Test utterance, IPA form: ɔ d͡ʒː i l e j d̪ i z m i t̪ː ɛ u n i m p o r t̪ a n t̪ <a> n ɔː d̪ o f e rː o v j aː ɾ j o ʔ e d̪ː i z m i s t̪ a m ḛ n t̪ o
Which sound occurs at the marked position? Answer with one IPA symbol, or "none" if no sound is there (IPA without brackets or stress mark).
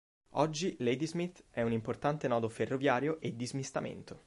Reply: e